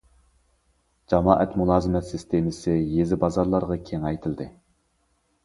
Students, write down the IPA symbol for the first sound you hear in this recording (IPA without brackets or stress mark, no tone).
d͡ʒ